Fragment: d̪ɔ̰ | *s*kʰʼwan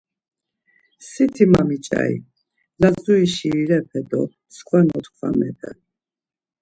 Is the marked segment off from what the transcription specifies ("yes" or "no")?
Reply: no